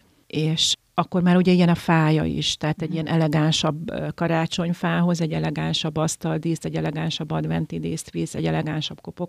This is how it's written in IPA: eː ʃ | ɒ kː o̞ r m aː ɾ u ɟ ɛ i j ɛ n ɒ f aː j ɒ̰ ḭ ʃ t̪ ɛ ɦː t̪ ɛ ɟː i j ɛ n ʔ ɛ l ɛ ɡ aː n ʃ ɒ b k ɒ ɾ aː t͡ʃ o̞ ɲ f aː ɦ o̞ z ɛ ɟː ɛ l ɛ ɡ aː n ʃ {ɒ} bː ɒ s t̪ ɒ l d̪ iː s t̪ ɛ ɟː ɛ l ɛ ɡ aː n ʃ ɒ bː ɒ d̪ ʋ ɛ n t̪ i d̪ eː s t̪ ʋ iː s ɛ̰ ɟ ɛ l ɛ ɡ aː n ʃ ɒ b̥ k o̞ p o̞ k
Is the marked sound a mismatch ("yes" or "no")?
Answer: no